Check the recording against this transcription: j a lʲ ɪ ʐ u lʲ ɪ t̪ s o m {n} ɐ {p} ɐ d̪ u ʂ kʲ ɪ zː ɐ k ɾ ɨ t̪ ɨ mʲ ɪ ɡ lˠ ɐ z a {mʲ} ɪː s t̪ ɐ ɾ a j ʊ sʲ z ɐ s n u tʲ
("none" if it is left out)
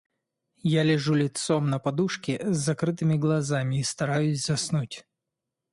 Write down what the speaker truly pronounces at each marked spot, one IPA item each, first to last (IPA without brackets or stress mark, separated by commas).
n, p, mʲ